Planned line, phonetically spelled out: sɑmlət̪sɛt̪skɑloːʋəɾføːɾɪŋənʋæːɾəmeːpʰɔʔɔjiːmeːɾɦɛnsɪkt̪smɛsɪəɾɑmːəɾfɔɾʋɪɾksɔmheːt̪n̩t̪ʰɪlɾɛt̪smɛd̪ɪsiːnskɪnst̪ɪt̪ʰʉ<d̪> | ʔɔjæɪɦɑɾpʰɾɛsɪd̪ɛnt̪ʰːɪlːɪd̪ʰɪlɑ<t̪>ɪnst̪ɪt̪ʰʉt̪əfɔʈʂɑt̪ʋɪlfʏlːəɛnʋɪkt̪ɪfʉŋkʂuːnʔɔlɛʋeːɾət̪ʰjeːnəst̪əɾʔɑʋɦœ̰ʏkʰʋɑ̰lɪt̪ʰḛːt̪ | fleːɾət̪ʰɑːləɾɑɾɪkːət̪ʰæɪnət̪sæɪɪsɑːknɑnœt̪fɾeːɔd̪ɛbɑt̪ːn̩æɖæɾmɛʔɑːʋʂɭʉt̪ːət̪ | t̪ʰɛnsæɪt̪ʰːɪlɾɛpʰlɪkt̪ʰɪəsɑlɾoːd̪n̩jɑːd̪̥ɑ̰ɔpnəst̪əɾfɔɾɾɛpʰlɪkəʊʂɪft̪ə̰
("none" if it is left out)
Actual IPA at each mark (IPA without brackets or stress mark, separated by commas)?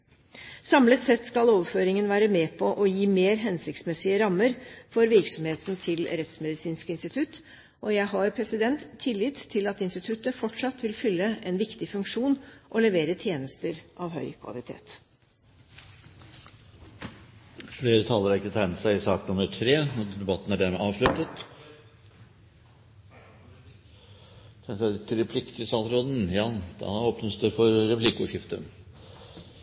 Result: t̪, t̪